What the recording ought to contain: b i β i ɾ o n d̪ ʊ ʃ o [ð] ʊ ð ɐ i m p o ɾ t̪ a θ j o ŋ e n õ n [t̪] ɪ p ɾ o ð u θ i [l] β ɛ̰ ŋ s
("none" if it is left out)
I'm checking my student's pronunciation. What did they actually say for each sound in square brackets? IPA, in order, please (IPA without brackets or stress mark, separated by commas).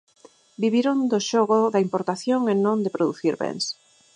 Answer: ɣ, d̪, ɾ